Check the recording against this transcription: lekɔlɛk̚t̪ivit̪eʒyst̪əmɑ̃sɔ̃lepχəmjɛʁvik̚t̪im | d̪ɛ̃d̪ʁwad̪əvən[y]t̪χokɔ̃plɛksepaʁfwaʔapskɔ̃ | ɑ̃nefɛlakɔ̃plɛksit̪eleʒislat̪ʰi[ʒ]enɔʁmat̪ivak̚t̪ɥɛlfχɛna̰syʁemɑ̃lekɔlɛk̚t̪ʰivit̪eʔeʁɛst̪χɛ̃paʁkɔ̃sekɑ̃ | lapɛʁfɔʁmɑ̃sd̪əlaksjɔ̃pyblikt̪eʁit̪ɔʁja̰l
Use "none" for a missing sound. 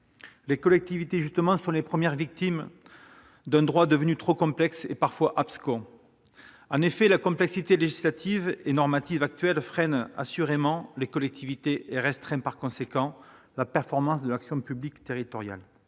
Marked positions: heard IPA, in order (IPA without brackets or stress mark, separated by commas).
y, v